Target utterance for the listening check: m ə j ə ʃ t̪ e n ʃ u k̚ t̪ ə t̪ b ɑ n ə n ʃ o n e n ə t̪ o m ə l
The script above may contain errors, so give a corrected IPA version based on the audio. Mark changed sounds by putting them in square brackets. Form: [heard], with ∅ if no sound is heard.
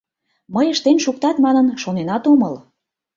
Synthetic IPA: m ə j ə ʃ t̪ e n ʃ u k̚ t̪ [ɑ] t̪ [m] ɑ n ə n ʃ o n e n [ɑ] t̪ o m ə l